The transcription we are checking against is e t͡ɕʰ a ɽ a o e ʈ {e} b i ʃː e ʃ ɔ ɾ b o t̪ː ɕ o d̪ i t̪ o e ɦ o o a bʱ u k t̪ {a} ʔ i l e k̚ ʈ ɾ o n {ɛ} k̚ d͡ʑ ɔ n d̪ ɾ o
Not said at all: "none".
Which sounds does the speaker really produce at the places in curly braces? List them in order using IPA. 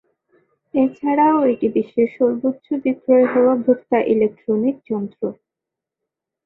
i, a, i

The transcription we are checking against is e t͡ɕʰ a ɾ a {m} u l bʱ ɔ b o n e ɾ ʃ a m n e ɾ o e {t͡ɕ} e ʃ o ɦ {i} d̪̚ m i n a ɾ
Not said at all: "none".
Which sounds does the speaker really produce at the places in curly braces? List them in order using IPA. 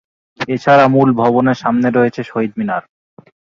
m, t͡ɕʰ, i

